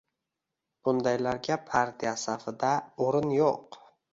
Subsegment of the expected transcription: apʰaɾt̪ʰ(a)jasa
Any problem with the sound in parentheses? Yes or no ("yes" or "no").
yes